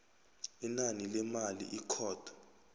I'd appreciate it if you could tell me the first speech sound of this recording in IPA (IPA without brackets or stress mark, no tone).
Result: i